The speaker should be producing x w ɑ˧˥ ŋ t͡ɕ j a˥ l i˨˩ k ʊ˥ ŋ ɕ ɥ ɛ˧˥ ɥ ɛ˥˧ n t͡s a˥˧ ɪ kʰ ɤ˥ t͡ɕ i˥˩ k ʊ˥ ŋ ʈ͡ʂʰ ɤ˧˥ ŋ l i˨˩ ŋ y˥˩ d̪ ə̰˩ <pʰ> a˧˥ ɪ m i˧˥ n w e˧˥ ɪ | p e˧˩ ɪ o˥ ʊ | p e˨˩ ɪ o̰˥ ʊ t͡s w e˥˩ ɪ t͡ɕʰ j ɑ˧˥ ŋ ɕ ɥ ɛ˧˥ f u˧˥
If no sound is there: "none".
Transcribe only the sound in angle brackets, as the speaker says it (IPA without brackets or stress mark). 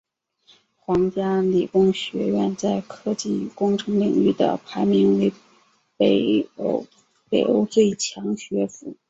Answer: pʰ